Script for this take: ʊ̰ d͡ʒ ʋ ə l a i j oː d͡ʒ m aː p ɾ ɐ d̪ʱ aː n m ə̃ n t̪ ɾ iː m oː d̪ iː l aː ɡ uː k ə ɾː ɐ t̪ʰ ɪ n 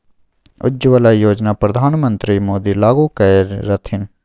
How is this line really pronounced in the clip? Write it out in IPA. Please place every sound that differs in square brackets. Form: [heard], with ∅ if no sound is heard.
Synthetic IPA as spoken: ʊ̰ d͡ʒ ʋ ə l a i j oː d͡ʒ [n] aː p ɾ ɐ d̪ʱ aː n m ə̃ n t̪ ɾ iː m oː d̪ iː l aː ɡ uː k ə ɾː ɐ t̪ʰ ɪ n